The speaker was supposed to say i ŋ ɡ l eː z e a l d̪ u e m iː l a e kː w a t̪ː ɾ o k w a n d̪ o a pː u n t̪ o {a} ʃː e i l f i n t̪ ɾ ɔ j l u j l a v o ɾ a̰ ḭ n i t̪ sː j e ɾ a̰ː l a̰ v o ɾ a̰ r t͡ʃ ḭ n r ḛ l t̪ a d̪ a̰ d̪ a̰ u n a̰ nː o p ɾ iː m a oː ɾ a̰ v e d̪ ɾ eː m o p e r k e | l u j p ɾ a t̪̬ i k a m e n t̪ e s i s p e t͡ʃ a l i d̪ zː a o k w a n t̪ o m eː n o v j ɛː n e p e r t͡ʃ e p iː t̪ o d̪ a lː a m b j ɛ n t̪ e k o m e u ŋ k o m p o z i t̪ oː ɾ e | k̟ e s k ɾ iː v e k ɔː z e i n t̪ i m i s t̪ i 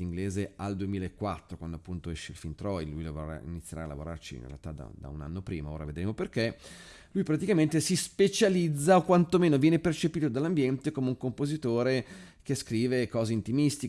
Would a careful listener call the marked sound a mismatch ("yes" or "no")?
yes